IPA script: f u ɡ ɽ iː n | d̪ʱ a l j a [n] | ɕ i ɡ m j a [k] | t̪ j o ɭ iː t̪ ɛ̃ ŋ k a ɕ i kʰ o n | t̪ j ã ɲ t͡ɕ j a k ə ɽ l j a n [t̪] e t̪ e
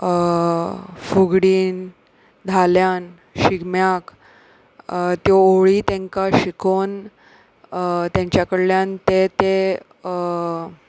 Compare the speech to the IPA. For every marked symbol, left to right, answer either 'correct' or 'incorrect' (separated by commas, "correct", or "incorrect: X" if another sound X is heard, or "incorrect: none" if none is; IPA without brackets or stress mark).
correct, correct, correct